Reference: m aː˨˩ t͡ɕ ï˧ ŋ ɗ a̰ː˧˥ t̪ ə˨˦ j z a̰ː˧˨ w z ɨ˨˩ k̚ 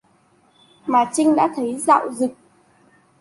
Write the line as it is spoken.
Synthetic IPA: m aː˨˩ t͡ɕ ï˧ ŋ ɗ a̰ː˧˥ t̪ʰ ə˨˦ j z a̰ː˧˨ w z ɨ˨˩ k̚